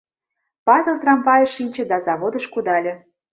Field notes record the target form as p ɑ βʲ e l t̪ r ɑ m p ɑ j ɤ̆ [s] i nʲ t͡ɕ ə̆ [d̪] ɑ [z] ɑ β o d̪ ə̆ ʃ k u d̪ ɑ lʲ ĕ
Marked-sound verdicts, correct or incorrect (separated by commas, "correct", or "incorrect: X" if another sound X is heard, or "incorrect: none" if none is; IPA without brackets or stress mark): incorrect: ʃ, correct, correct